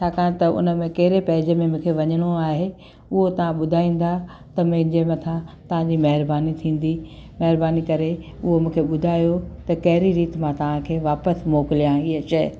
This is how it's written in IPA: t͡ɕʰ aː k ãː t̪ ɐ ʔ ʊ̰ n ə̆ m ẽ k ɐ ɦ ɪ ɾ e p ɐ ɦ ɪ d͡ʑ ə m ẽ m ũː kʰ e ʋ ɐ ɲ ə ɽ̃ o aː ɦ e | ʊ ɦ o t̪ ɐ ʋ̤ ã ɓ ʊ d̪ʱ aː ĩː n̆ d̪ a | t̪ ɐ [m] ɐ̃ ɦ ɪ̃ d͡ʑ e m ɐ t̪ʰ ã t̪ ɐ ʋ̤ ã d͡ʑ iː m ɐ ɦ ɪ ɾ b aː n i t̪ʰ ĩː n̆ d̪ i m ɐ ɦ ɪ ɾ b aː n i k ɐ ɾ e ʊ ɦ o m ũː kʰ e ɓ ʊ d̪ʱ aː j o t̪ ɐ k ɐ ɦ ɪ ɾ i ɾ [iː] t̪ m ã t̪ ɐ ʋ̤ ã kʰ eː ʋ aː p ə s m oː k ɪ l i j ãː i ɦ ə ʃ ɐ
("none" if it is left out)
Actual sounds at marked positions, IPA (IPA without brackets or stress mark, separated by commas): m, iː